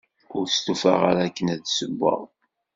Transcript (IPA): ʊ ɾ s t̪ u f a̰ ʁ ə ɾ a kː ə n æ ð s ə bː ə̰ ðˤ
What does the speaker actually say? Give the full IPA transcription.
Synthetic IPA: ʊ ɾ s t̪ u f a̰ ʁ a ɾ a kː ə n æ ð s ə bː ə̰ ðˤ